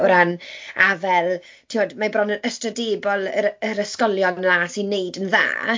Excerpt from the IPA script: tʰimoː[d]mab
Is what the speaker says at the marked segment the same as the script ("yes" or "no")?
yes